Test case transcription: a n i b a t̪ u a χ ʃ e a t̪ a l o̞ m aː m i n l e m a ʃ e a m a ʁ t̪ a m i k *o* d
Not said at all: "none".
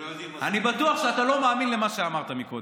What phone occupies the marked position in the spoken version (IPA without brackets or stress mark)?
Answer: o